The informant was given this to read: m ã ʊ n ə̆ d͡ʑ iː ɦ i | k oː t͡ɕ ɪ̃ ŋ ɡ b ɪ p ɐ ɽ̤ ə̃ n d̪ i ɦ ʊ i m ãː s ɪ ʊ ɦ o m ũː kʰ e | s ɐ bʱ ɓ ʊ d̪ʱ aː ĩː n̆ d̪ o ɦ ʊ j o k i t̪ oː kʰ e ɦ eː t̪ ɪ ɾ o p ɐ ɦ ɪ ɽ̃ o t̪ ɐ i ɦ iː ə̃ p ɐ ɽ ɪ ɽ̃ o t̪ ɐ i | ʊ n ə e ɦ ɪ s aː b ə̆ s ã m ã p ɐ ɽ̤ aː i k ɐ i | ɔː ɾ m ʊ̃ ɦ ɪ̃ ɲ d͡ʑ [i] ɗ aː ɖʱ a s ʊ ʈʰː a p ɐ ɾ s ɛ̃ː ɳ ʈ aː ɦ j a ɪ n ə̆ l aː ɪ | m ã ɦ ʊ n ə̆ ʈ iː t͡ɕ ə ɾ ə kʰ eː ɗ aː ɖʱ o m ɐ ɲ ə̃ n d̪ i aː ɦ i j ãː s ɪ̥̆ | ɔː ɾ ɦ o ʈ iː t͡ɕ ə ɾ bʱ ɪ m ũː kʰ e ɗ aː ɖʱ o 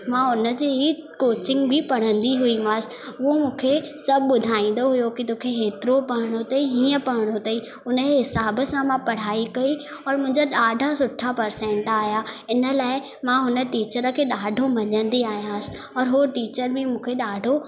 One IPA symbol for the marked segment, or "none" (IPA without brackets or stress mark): a